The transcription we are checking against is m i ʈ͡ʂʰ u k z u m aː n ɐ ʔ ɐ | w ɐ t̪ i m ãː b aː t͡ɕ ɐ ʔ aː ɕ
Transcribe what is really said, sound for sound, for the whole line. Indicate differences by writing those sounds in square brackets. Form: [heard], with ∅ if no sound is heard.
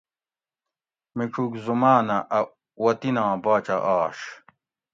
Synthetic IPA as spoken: m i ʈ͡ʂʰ u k z u m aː n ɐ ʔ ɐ | w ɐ t̪ i [n] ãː b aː t͡ɕ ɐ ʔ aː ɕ